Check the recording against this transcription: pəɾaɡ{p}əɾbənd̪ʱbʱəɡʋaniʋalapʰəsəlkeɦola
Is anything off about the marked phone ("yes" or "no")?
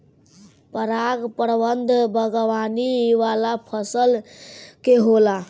no